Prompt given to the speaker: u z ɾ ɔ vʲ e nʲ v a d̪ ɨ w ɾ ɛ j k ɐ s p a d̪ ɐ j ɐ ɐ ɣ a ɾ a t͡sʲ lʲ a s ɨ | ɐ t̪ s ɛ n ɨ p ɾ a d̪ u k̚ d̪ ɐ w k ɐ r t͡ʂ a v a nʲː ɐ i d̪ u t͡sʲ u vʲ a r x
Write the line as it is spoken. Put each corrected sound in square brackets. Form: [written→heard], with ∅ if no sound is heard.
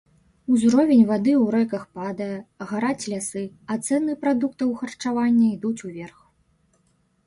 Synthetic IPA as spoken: u z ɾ ɔ vʲ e nʲ v a d̪ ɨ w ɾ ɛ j k ɐ [s→x] p a d̪ ɐ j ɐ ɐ ɣ a ɾ a t͡sʲ lʲ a s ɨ | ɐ t̪ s ɛ n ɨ p ɾ a d̪ u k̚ [d̪→t̪] ɐ w [k→x] ɐ r t͡ʂ a v a nʲː ɐ i d̪ u t͡sʲ u vʲ [a→ɛ] r x